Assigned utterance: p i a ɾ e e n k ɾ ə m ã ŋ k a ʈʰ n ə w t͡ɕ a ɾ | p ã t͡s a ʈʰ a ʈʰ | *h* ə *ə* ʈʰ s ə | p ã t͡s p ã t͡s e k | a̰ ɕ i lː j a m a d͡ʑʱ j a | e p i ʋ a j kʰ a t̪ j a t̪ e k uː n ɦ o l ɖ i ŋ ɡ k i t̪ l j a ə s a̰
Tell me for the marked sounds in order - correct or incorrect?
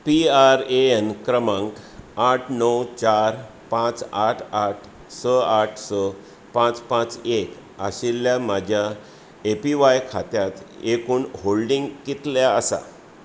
incorrect: s, incorrect: a

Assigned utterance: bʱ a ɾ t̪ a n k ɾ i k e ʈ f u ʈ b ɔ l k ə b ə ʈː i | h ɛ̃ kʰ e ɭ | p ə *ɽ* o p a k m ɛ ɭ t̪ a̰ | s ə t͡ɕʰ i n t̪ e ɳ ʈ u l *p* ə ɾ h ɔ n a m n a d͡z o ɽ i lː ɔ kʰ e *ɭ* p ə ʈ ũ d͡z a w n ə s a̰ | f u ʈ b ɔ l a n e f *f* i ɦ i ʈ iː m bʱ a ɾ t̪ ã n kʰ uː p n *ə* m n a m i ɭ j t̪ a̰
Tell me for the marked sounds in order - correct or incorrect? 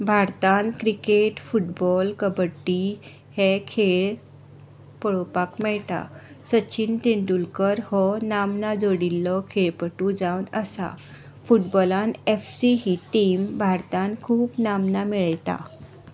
incorrect: ɭ, incorrect: k, correct, incorrect: s, incorrect: a

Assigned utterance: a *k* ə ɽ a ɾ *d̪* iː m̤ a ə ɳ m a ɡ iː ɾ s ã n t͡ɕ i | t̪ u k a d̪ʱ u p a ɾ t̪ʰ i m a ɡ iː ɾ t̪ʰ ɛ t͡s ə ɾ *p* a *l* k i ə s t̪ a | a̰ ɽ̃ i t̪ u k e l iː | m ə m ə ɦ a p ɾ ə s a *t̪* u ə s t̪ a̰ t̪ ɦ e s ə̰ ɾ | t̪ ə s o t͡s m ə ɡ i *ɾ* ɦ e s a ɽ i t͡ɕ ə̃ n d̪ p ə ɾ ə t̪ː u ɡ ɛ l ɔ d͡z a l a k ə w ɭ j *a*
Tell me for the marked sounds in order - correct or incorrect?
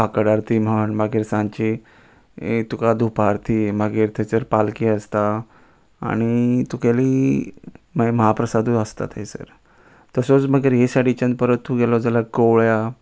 correct, incorrect: t̪, correct, correct, incorrect: d̪, correct, correct

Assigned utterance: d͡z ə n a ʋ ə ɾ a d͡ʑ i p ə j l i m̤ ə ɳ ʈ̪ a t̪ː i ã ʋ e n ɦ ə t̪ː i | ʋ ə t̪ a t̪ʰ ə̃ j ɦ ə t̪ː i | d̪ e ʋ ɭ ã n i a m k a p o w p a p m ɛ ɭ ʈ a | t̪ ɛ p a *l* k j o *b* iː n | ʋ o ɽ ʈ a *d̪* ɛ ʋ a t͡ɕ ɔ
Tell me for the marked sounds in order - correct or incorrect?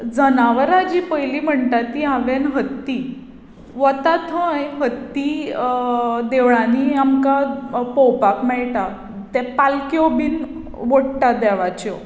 correct, correct, correct

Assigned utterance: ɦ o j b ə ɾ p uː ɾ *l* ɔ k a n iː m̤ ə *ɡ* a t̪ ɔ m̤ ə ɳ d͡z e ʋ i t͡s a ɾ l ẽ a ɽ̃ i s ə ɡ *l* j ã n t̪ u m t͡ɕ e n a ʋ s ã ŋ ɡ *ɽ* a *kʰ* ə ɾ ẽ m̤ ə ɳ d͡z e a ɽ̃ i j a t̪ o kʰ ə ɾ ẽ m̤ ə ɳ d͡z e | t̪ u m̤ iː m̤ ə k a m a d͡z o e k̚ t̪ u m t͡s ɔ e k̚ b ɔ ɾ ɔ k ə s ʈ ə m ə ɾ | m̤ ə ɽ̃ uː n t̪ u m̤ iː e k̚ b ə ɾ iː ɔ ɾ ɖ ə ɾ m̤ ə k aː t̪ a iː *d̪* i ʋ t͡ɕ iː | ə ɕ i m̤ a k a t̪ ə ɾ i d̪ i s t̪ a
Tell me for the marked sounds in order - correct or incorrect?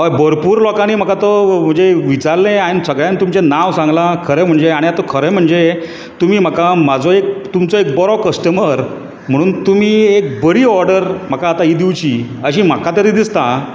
correct, incorrect: k, incorrect: ɭ, incorrect: l, correct, correct

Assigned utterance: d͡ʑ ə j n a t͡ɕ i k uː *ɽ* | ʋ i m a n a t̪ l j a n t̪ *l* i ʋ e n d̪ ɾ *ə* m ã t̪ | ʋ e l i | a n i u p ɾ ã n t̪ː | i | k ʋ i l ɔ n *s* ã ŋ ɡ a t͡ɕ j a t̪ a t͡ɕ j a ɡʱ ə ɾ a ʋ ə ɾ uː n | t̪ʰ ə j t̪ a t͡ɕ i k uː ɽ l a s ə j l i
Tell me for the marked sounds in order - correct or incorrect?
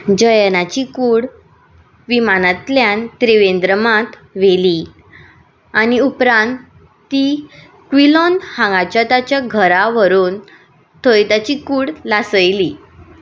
correct, incorrect: ɾ, correct, incorrect: h

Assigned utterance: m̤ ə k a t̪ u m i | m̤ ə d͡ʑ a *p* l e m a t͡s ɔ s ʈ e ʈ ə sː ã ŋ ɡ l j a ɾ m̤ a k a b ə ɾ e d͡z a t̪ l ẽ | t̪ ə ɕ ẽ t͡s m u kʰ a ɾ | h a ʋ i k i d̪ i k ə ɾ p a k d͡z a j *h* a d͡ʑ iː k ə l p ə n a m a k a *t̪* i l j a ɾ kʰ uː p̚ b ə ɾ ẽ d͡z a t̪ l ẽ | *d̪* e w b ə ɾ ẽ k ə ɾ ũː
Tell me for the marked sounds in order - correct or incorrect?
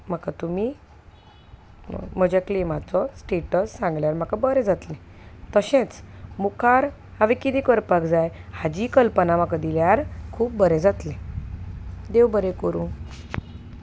incorrect: k, correct, incorrect: d̪, correct

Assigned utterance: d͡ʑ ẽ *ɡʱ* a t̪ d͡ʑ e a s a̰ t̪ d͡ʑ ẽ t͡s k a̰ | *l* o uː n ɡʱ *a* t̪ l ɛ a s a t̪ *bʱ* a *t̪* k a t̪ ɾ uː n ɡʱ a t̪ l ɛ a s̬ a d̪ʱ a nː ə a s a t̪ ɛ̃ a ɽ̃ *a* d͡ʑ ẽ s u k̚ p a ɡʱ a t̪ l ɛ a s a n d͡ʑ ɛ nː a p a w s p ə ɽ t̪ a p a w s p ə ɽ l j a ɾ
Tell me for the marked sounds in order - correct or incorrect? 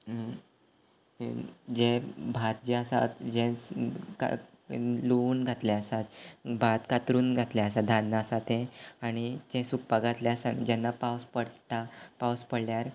incorrect: bʱ, correct, correct, correct, correct, incorrect: i

